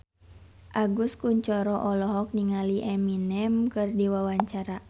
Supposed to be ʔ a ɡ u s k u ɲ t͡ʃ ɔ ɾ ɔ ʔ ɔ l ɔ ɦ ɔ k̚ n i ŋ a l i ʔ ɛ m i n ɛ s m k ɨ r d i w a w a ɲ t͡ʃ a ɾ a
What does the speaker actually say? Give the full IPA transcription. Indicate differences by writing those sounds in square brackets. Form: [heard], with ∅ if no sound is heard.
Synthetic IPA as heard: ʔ a ɡ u s k u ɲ t͡ʃ ɔ ɾ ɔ ʔ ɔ l ɔ ɦ ɔ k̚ n i ŋ a l i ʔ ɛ m i n ɛ [∅] m k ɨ r d i w a w a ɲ t͡ʃ a ɾ a